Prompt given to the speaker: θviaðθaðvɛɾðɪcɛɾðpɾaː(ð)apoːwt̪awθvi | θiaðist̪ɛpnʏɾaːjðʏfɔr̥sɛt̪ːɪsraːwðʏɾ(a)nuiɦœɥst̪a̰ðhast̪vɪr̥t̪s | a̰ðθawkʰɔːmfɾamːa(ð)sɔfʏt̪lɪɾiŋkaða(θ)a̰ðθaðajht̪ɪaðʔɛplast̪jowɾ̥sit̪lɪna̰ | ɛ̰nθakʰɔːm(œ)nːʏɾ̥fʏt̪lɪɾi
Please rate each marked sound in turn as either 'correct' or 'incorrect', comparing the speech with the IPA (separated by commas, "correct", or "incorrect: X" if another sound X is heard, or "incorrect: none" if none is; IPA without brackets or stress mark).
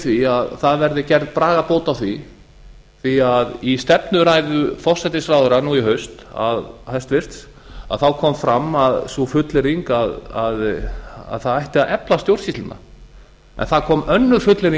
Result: incorrect: ɣ, correct, correct, incorrect: ð, correct